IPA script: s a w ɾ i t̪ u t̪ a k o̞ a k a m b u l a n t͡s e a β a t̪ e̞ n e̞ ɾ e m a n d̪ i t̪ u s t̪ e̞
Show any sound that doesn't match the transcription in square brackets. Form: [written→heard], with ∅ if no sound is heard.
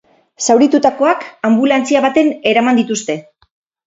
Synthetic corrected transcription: s a w ɾ i t̪ u t̪ a k o̞ a k a m b u l a n t͡s [e→i] a β a t̪ e̞ n e̞ ɾ [e→a] m a n d̪ i t̪ u s t̪ e̞